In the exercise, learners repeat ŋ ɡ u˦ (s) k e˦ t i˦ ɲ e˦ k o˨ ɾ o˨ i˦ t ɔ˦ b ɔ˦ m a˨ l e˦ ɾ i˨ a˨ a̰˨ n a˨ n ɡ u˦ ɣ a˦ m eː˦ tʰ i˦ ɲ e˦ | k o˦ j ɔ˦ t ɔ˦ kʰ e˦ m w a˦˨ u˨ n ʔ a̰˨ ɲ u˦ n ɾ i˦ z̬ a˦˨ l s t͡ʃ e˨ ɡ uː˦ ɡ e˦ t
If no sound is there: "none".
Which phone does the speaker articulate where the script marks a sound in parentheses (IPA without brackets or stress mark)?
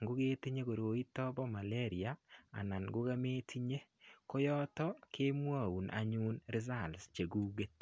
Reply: none